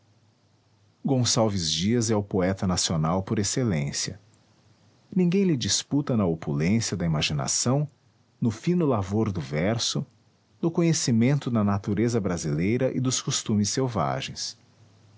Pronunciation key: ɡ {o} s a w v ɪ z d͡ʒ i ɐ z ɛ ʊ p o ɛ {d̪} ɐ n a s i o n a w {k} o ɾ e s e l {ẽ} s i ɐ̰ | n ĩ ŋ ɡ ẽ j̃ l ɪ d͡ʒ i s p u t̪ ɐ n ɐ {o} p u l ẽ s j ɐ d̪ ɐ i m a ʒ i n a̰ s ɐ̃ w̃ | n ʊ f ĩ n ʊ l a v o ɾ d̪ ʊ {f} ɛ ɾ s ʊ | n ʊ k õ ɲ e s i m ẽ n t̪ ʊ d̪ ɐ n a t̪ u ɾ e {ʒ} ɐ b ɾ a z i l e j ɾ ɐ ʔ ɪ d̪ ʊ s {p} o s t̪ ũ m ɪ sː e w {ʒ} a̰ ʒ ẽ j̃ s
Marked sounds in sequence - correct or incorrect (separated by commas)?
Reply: incorrect, incorrect, incorrect, correct, correct, incorrect, incorrect, incorrect, incorrect